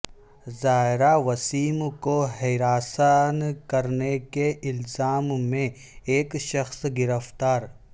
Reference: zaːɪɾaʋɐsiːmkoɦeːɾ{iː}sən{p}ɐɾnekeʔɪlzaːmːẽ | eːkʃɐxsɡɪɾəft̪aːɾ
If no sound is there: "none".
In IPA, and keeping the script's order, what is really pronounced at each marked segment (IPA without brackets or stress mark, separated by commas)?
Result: aː, k